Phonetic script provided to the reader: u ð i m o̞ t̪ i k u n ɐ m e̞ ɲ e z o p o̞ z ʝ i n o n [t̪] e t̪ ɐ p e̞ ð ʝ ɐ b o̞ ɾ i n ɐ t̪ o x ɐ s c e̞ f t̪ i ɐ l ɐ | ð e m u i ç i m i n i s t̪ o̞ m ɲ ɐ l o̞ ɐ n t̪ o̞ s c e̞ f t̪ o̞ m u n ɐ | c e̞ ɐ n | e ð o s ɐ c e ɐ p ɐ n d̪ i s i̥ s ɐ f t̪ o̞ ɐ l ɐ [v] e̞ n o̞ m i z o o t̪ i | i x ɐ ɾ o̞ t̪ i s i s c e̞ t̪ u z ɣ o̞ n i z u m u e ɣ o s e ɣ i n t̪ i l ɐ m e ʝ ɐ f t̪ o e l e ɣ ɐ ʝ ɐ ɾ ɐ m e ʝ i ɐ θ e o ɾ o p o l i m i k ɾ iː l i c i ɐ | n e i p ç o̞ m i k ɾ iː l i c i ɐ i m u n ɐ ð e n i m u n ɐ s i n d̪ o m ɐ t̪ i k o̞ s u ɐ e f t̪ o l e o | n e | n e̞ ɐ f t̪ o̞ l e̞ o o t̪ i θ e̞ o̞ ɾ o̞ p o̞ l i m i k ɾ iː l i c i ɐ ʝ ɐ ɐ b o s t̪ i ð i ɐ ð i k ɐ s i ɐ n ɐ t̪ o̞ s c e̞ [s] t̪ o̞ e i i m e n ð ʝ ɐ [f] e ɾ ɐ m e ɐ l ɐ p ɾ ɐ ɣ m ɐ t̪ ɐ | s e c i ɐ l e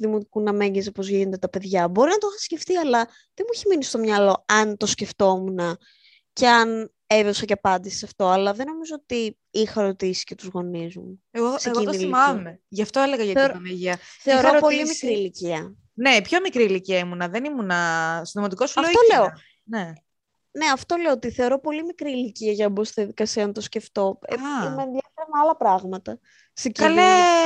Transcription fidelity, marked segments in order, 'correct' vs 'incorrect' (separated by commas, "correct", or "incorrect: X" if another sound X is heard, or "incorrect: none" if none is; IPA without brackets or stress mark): incorrect: d̪, incorrect: ð, incorrect: f, correct